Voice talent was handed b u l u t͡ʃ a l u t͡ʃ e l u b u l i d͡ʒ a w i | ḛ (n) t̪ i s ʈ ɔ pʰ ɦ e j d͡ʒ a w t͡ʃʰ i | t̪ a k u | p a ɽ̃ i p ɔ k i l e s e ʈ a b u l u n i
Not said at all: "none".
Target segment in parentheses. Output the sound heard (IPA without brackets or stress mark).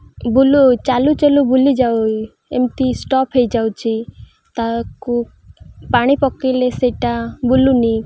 m